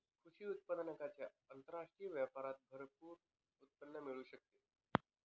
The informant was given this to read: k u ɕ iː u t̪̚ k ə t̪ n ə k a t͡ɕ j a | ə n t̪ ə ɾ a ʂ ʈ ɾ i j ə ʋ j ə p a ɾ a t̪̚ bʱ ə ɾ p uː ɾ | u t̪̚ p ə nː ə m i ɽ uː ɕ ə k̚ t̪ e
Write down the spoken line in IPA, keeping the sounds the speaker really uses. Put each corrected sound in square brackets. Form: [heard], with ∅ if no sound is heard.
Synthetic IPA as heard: [kʰ] u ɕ iː u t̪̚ [p] ə [d̪] n ə k a t͡ɕ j a | ə n t̪ ə ɾ a ʂ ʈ ɾ i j ə ʋ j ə p a ɾ a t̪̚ bʱ ə ɾ p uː ɾ | u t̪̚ p ə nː ə m i [ɭ] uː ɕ ə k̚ t̪ e